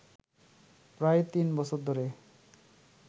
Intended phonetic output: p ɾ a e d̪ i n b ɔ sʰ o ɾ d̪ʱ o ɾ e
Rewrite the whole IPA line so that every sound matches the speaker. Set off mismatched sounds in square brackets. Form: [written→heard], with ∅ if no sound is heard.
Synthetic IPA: p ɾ a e [d̪→t̪] i n b ɔ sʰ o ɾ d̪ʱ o ɾ e